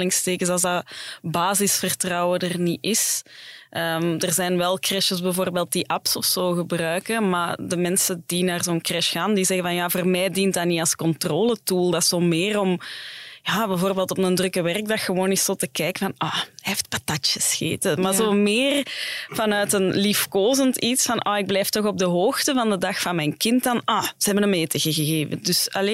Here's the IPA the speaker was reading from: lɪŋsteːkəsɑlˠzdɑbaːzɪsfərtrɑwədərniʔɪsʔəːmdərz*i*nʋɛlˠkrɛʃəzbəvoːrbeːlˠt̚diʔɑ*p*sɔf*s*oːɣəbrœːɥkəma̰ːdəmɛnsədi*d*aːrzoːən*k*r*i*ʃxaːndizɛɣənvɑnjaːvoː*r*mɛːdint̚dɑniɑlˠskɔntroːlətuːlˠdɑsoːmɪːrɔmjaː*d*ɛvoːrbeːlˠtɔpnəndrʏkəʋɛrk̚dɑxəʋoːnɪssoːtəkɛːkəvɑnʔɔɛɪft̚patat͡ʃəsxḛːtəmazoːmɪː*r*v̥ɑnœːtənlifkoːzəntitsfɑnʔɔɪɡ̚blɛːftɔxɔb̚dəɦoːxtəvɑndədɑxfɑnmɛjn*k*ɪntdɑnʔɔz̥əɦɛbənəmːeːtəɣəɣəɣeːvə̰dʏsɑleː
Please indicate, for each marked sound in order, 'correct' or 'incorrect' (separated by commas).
incorrect, correct, correct, incorrect, correct, incorrect, correct, incorrect, correct, correct